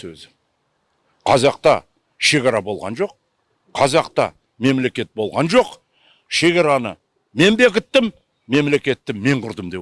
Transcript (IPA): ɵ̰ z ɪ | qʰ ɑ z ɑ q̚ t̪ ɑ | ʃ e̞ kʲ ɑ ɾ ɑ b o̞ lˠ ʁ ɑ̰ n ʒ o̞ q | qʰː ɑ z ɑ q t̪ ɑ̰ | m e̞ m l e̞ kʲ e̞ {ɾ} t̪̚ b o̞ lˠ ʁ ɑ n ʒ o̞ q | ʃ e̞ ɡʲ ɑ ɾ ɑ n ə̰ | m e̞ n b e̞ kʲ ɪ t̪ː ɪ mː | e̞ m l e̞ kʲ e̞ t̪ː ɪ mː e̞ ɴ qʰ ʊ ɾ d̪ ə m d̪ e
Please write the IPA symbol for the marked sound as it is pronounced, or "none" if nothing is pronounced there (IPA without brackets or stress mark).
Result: none